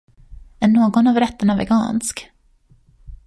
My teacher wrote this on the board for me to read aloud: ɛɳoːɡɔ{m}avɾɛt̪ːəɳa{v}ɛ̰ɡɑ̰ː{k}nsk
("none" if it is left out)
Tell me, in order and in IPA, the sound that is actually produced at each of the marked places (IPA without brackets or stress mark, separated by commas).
n, v, none